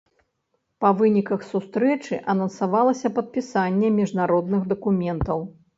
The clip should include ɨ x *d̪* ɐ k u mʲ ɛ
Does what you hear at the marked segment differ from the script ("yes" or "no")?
no